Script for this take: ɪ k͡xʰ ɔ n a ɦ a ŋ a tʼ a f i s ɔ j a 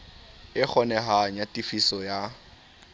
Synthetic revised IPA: ɪ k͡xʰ ɔ n ɛ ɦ a ɲ a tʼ i f i s ɔ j a